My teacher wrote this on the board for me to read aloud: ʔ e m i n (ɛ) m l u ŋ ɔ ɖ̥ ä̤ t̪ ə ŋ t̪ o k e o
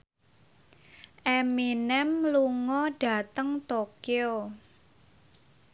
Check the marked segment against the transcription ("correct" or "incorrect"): correct